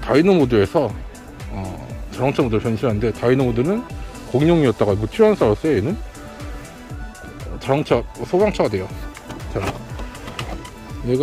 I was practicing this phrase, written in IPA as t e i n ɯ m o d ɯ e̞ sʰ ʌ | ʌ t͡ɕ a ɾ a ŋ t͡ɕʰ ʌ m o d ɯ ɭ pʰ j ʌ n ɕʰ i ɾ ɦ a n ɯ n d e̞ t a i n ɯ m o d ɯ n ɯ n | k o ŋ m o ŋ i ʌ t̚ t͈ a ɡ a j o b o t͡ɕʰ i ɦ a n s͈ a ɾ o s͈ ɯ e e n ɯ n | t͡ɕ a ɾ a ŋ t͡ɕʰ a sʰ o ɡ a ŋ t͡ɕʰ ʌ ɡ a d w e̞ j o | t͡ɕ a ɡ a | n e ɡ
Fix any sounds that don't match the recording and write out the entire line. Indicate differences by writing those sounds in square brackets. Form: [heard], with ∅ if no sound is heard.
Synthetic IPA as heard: t [a] i n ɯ m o d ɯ e̞ sʰ ʌ | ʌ t͡ɕ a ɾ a ŋ t͡ɕʰ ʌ m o d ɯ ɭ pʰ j ʌ n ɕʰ i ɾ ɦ a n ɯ n d e̞ t a i n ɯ m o d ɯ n ɯ n | k o ŋ [ɲ] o ŋ i ʌ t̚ t͈ a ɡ a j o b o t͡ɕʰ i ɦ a n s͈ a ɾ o s͈ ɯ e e n ɯ n | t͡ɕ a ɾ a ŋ t͡ɕʰ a sʰ o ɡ a ŋ t͡ɕʰ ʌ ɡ a d w e̞ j o | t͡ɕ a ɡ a | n e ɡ

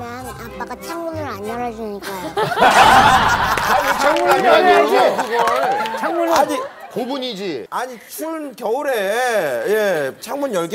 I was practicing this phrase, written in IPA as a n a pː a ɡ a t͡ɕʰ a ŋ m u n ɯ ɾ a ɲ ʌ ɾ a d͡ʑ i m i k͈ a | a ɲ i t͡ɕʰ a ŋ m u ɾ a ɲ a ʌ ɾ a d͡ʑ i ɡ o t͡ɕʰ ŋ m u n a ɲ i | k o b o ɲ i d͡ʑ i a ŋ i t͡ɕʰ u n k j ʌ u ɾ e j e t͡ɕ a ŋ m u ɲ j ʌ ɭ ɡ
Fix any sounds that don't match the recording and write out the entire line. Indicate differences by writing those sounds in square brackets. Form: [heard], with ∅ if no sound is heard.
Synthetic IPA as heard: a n a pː a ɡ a t͡ɕʰ a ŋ m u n ɯ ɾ a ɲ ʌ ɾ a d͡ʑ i [ɲ] i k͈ a | a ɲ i t͡ɕʰ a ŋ m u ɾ a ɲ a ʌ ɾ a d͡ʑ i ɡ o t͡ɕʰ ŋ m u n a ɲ i | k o b [u] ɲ i d͡ʑ i a [ɲ] i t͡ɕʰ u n k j ʌ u ɾ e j e [t͡ɕʰ] a ŋ m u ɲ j ʌ ɭ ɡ

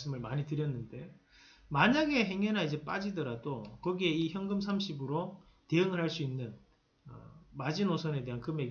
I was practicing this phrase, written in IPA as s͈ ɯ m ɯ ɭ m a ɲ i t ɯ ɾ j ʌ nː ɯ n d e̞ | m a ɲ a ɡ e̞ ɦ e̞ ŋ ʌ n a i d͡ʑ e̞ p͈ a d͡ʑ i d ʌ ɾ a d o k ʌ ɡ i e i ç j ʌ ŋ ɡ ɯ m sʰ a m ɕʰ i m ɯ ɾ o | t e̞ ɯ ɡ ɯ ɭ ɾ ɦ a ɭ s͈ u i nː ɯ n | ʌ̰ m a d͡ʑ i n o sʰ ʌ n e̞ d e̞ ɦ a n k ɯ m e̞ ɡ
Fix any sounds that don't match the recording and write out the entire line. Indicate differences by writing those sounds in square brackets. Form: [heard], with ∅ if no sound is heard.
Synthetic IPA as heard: s͈ ɯ m ɯ ɭ m a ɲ i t ɯ ɾ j ʌ nː ɯ n d e̞ | m a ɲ a ɡ e̞ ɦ e̞ ŋ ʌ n a i d͡ʑ e̞ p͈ a d͡ʑ i d ʌ ɾ a d o k ʌ ɡ i e i ç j ʌ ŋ ɡ ɯ m sʰ a m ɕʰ i [b] ɯ ɾ o | t e̞ ɯ [ŋ] ɯ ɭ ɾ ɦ a ɭ s͈ u i nː ɯ n | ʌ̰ m a d͡ʑ i n o sʰ ʌ n e̞ d e̞ ɦ a n k ɯ m e̞ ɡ

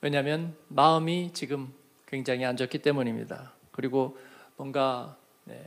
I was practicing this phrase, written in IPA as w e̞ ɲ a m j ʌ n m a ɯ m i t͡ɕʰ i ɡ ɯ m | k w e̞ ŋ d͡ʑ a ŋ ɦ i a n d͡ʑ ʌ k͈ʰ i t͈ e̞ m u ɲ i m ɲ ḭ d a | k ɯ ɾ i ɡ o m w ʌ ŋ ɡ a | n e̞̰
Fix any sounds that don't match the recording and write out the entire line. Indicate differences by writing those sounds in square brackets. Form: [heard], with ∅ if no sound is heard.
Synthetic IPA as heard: w e̞ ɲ a m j ʌ n m a ɯ m i [t͡ɕ] i ɡ ɯ m | k w e̞ ŋ d͡ʑ a ŋ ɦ i a n d͡ʑ ʌ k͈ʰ i t͈ e̞ m u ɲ i m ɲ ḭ d a | k ɯ ɾ i ɡ o m w ʌ [n] ɡ a | n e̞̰

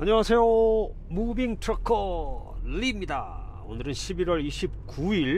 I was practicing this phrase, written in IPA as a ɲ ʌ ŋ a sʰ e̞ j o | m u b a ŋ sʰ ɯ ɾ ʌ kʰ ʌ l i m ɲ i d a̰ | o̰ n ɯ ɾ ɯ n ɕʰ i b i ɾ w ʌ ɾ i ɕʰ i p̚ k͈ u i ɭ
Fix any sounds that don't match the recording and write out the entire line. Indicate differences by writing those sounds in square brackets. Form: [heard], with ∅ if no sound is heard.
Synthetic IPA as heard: a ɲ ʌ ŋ a sʰ e̞ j o | m u b [i] ŋ [tʰ] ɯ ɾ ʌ kʰ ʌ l i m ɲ i d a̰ | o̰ n ɯ ɾ ɯ n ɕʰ i b i ɾ w ʌ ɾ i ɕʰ i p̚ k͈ u i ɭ

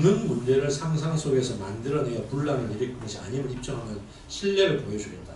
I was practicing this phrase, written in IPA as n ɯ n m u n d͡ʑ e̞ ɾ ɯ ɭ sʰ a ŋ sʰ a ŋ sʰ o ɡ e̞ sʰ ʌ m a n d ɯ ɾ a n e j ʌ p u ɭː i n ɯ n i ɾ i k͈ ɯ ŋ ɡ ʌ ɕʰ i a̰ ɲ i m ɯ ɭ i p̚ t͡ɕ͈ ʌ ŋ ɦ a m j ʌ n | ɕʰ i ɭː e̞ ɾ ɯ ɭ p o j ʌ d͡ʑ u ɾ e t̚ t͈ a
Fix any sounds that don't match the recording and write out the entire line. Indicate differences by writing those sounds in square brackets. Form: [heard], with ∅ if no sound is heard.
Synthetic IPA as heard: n ɯ n m u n d͡ʑ e̞ ɾ ɯ ɭ sʰ a ŋ sʰ a ŋ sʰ o ɡ e̞ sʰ ʌ m a n d ɯ ɾ [ʌ] n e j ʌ p u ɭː [a] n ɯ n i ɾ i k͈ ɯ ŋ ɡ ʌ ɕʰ i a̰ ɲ i m ɯ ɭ i p̚ t͡ɕ͈ ʌ ŋ ɦ a m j ʌ n | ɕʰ i ɭː e̞ ɾ ɯ ɭ p o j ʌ d͡ʑ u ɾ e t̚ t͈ a

